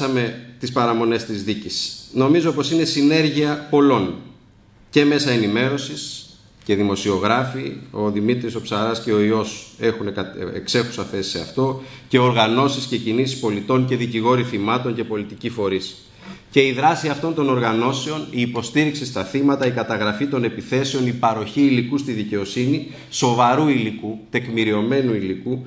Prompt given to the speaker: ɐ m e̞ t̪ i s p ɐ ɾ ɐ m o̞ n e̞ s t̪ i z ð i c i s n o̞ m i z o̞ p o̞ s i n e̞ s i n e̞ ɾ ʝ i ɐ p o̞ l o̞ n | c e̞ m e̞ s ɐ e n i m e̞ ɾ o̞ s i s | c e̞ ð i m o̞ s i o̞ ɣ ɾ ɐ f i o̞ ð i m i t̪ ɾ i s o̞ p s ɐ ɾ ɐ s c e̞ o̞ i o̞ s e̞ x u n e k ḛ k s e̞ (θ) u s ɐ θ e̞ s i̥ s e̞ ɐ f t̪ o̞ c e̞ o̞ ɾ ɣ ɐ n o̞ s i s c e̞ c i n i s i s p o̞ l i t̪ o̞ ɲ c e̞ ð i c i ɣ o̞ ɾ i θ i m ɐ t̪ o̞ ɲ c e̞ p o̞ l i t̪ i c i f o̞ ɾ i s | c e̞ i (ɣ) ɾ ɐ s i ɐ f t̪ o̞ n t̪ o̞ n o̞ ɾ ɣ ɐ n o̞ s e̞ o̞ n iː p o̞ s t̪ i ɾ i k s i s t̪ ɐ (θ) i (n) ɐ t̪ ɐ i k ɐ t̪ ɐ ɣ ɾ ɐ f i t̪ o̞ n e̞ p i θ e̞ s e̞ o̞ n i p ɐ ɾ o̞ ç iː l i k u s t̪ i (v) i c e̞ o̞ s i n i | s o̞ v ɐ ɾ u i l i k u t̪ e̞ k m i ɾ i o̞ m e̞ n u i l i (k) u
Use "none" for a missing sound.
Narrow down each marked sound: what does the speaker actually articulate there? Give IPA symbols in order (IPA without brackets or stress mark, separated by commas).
x, ð, θ, m, ð, k